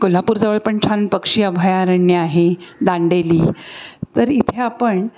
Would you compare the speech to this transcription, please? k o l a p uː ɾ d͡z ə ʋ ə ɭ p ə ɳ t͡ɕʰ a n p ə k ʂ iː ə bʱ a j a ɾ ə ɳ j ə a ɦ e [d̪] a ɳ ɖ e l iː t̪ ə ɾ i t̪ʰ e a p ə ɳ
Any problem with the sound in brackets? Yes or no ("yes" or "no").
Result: no